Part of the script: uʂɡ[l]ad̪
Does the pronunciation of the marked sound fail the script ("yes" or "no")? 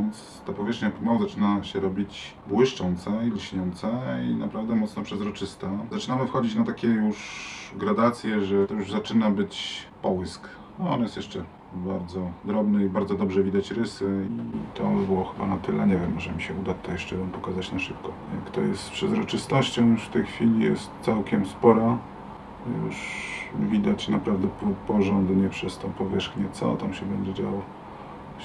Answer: yes